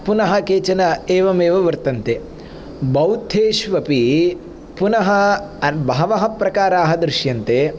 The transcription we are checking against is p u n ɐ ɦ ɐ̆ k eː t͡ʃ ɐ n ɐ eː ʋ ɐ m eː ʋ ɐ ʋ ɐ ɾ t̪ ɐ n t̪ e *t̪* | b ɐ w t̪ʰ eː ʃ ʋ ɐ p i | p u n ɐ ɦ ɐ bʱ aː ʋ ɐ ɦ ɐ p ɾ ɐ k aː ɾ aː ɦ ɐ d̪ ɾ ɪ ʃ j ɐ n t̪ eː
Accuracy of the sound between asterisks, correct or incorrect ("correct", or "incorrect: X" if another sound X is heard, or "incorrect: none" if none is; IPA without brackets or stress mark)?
incorrect: none